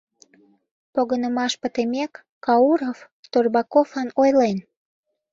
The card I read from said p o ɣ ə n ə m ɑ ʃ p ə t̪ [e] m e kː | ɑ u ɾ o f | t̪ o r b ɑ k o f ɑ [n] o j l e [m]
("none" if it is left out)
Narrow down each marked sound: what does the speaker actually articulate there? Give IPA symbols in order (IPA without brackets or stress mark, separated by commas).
e, n, n